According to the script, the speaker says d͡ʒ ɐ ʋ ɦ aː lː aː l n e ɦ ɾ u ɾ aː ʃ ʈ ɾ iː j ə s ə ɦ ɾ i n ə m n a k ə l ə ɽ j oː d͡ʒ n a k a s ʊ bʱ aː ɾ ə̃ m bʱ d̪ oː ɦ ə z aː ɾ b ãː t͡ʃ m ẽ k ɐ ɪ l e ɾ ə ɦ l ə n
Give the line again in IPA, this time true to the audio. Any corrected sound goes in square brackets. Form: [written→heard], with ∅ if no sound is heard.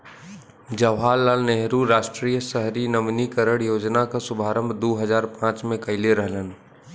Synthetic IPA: d͡ʒ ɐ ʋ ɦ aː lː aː l n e ɦ ɾ u ɾ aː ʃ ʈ ɾ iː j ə s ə ɦ ɾ i n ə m n [a→i] k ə [l→ɾ] ə ɽ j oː d͡ʒ n a k a s ʊ bʱ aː ɾ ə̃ m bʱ d̪ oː ɦ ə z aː ɾ [b→p] ãː t͡ʃ m ẽ k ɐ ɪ l e ɾ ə ɦ l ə n